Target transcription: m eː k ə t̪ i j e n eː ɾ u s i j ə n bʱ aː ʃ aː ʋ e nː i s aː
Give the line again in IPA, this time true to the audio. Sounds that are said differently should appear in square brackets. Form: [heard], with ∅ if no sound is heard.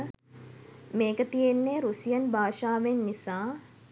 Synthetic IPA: m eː k ə t̪ i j e [nː] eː ɾ u s i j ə n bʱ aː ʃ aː ʋ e nː i s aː